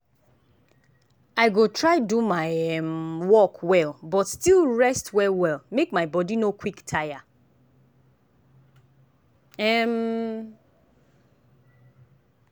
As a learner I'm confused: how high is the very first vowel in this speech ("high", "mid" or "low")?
low